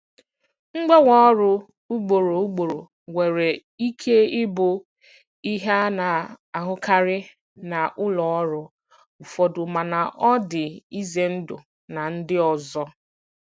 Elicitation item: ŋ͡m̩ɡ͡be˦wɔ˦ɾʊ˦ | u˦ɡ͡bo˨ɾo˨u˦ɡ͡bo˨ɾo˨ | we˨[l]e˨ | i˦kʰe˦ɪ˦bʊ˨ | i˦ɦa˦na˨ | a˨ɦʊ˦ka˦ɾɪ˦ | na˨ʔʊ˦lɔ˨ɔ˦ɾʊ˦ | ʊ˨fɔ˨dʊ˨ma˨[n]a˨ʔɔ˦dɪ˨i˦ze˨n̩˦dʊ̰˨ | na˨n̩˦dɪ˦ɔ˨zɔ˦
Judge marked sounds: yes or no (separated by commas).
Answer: no, yes